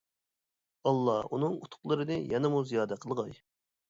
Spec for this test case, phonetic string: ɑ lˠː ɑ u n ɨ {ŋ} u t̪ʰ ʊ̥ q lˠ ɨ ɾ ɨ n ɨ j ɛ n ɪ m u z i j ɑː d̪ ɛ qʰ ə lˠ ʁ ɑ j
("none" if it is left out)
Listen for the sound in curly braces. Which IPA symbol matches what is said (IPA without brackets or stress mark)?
ŋ